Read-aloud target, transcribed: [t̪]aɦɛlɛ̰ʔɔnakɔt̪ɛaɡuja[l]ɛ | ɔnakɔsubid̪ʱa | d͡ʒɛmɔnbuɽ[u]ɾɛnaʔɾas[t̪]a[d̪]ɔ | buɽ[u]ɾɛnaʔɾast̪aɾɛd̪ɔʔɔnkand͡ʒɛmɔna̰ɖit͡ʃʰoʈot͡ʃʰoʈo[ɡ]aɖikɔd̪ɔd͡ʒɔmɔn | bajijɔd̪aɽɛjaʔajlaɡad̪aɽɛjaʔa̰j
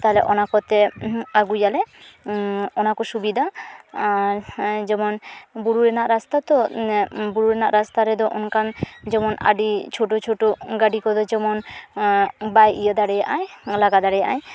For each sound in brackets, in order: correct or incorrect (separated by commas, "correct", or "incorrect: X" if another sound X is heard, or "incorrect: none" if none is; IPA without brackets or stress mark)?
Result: correct, correct, correct, correct, incorrect: t̪, correct, correct